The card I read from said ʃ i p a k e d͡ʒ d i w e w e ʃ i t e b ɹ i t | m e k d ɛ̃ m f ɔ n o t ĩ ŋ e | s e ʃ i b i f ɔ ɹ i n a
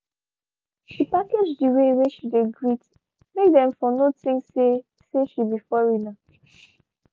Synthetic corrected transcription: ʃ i p a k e d͡ʒ d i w e w e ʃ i d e ɡ ɹ i t | m e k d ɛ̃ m f ɔ n o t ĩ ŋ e | s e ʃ i b i f ɔ ɹ i n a